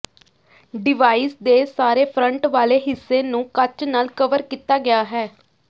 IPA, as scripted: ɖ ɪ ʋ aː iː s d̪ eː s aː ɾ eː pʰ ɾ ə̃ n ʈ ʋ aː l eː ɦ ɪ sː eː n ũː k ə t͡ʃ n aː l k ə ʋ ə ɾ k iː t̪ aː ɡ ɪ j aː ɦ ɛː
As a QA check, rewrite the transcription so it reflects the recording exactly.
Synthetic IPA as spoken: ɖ ɪ ʋ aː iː s d̪ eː s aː ɾ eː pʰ ɾ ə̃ ɳ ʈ ʋ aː l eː ɦ ɪ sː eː n ũː k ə t͡ʃ n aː l k ə ʋ ə ɾ k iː t̪ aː ɡ ɪ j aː ɦ ɛː